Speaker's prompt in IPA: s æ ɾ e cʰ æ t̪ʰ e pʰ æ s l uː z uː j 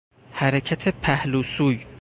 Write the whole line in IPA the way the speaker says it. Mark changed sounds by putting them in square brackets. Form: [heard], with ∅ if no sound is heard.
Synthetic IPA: [h] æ ɾ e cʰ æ t̪ʰ e pʰ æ [h] l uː [s] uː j